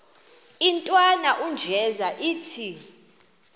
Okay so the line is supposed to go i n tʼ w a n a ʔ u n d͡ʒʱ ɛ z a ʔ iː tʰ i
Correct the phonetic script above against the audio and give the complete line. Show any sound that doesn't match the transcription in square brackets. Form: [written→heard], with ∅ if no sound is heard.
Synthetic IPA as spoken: i n tʼ w a n a ʔ u n d͡ʒʱ ɛ z a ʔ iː tʰ i